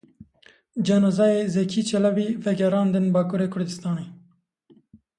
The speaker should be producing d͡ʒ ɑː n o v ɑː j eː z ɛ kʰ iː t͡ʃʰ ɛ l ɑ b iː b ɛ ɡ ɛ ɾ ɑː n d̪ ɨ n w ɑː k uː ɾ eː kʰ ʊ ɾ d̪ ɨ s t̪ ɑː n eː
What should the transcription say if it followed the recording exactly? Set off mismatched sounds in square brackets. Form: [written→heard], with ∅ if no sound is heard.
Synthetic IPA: d͡ʒ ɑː n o [v→z] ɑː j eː z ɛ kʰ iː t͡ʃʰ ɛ l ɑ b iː [b→v] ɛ ɡ ɛ ɾ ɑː n d̪ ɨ n [w→b] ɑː k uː ɾ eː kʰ ʊ ɾ d̪ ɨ s t̪ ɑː n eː